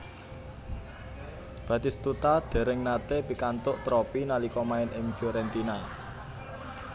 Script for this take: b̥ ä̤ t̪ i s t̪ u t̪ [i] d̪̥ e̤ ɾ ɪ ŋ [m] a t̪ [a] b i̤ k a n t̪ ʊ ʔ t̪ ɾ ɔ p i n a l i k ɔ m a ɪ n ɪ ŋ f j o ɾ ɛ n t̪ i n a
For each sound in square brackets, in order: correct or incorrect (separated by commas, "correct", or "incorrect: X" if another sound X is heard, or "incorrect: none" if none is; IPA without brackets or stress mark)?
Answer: incorrect: a, incorrect: n, incorrect: e